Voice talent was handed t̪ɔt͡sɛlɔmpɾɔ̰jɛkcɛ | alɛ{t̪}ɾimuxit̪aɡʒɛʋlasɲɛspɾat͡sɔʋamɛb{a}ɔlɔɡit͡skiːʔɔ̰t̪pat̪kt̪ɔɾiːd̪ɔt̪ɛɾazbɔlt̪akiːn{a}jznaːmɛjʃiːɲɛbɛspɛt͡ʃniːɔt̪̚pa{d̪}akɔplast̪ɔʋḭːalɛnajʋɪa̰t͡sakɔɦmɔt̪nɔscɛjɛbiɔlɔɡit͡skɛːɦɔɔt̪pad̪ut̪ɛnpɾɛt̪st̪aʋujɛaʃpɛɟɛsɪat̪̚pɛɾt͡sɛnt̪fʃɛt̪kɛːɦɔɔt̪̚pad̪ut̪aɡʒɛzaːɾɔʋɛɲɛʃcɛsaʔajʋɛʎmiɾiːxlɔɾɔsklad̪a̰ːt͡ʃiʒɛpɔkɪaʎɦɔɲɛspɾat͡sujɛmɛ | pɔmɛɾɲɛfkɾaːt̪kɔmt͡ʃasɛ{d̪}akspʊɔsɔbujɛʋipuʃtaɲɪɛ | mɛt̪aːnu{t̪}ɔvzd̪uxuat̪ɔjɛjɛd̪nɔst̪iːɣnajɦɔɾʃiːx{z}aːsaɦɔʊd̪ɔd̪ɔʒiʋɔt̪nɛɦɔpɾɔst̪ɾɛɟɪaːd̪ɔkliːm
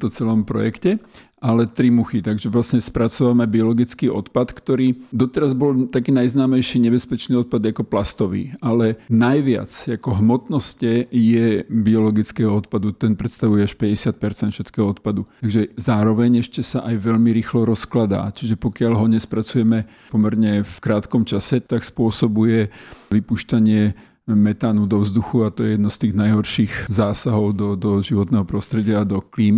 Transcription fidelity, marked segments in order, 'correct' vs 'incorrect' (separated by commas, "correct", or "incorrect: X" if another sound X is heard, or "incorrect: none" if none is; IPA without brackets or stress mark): correct, incorrect: i, correct, correct, incorrect: t̪, incorrect: d̪, correct